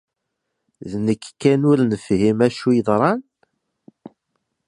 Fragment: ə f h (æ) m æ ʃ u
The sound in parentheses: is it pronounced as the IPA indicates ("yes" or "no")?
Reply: no